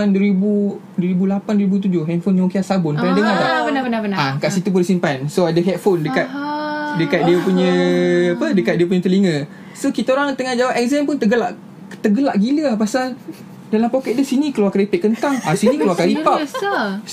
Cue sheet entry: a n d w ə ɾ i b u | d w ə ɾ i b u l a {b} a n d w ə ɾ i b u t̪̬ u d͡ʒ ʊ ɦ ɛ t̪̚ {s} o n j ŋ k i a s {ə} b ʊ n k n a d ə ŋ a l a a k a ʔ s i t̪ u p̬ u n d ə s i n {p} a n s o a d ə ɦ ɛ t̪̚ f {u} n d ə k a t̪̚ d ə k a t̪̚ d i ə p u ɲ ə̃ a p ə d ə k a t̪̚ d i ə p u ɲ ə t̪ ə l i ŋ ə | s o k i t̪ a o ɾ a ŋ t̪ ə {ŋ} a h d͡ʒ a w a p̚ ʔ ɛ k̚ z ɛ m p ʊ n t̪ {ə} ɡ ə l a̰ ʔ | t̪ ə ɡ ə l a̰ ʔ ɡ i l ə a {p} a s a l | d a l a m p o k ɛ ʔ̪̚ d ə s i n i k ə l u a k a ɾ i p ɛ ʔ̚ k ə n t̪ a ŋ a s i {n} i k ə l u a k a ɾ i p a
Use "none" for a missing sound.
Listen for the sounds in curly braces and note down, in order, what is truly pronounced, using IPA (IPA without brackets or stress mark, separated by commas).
p, f, a, p, o, ŋ, ə, p, n